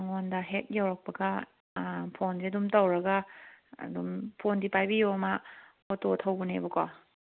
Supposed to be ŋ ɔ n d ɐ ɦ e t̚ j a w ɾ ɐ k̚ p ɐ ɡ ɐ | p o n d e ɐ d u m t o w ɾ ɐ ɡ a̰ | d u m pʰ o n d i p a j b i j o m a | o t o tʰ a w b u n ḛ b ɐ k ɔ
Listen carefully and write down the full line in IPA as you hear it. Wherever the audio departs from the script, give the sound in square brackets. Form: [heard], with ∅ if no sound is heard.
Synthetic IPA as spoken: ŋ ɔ n d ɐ ɦ e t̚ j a w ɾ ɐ k̚ p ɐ ɡ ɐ | [pʰ] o n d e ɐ d u m t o w ɾ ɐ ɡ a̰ | d u m pʰ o n d i p a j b i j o m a | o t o tʰ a w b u n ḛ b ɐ k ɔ